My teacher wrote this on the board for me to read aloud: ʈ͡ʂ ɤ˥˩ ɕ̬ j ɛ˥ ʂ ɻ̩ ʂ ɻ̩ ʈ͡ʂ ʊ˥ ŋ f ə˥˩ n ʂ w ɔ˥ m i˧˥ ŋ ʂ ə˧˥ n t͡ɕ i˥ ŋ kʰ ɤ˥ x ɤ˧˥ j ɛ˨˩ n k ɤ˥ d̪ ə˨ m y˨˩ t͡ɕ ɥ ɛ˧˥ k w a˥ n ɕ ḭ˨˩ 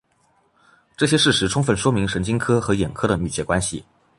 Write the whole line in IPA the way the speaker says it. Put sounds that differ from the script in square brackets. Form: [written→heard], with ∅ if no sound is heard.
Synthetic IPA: ʈ͡ʂ ɤ˥˩ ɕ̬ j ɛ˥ ʂ ɻ̩ ʂ ɻ̩ [ʈ͡ʂ→ʈ͡ʂʰ] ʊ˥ ŋ f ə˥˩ n ʂ w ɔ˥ m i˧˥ ŋ ʂ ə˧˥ n t͡ɕ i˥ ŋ kʰ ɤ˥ x ɤ˧˥ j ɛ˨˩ n [k→kʰ] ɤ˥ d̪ ə˨ m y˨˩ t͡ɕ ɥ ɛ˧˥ k w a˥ n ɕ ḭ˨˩